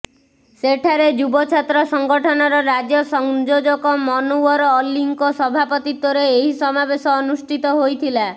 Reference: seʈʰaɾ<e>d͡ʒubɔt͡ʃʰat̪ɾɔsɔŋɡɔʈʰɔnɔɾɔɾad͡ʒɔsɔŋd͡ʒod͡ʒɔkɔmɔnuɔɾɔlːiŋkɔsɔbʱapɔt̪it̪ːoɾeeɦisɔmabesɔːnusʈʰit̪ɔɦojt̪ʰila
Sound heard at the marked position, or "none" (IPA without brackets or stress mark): e